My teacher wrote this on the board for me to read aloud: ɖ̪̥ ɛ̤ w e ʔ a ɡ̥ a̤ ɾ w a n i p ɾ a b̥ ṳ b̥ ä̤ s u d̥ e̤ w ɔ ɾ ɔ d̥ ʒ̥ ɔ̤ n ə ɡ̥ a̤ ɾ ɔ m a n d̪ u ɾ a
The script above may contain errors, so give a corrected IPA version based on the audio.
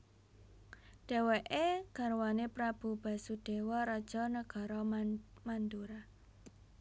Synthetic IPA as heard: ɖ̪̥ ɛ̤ w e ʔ e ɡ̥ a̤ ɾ w a n e p ɾ a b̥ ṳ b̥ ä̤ s u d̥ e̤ w ɔ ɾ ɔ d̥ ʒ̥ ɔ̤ n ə ɡ̥ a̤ ɾ ɔ m a n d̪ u ɾ a